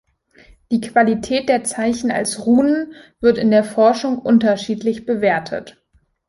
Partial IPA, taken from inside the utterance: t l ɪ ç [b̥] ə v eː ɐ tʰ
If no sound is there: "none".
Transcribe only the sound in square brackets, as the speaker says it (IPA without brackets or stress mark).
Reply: b̥